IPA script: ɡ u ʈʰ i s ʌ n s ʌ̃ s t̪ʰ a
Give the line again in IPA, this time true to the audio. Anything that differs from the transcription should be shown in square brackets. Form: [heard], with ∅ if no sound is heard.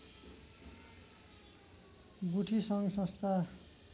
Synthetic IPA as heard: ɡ u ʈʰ i s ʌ [ŋ] s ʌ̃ s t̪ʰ a